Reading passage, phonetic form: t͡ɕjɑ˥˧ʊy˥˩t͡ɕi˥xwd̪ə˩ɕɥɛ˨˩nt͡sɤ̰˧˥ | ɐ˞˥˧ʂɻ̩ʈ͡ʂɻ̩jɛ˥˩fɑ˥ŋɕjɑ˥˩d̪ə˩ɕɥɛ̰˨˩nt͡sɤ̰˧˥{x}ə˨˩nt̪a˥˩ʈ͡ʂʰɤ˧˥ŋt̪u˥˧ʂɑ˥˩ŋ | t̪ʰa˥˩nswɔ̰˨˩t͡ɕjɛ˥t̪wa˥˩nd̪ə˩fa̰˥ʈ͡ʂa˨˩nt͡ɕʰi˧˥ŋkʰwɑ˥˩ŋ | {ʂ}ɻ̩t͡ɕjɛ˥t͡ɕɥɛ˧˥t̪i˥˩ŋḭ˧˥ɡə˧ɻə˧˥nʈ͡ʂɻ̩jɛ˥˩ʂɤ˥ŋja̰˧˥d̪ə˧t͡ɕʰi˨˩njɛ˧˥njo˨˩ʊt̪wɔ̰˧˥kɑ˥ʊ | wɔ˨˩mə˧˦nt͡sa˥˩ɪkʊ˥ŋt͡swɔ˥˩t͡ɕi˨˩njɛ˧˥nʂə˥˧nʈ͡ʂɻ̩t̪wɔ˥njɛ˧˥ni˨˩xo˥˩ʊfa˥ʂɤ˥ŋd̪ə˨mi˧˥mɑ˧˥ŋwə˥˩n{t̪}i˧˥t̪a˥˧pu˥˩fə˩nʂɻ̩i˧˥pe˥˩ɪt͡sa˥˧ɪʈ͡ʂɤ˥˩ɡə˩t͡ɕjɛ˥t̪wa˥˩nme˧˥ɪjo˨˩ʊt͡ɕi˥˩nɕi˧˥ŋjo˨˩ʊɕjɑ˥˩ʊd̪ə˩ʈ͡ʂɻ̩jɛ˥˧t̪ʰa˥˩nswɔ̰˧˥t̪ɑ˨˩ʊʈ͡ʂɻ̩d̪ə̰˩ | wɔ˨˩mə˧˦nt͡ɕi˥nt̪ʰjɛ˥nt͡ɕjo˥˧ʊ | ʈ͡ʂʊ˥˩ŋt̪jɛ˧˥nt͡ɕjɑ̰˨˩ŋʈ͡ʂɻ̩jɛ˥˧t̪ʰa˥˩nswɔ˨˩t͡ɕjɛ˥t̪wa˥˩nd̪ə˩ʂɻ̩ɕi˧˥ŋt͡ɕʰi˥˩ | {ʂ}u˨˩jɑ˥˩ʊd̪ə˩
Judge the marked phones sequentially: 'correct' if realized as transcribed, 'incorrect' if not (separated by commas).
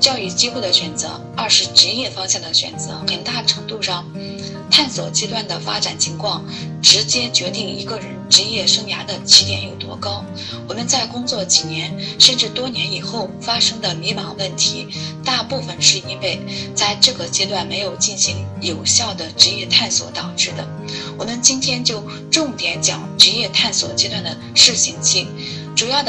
correct, incorrect, incorrect, incorrect